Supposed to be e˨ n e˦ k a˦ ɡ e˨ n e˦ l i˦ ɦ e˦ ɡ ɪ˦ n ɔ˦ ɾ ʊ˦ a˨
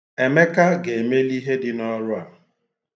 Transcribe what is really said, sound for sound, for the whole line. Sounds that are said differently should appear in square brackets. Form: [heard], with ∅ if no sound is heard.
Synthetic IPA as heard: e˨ [m] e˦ k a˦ ɡ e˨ [m] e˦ l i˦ ɦ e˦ [d] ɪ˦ n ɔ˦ ɾ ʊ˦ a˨